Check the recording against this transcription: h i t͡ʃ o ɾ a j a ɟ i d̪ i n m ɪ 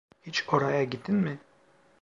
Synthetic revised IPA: h i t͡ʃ o ɾ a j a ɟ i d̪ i n m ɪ